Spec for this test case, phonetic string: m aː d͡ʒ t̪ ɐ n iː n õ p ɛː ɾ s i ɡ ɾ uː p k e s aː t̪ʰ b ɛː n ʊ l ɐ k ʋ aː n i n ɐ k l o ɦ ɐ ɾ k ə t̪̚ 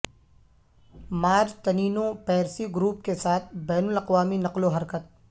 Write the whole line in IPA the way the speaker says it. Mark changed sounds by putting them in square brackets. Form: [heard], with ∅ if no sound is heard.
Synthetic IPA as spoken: m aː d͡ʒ t̪ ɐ n iː n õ p ɛː ɾ s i ɡ ɾ uː p k e s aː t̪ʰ b ɛː n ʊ l ɐ [q] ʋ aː [m] i n ɐ [q] l o ɦ ɐ ɾ k ə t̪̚